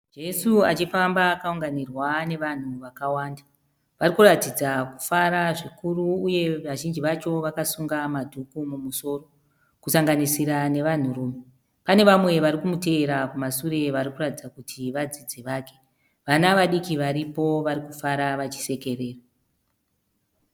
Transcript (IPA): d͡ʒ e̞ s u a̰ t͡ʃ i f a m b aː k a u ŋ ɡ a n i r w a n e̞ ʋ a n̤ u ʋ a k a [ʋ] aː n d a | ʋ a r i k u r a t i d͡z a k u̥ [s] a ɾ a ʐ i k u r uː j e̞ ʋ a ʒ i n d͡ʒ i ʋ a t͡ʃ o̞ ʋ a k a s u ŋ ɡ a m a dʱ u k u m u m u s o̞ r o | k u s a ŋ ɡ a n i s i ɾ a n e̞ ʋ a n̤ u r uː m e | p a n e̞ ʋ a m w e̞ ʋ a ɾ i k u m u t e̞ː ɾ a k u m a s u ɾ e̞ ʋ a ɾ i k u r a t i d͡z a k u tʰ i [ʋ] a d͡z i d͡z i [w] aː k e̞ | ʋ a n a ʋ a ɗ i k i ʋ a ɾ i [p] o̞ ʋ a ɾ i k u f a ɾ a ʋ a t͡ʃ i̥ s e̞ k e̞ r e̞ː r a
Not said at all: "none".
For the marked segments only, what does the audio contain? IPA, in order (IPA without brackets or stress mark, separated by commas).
w, f, ʋ, ʋ, p